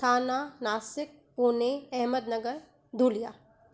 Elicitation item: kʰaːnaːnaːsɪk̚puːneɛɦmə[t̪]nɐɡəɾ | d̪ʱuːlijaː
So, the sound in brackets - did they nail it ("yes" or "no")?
no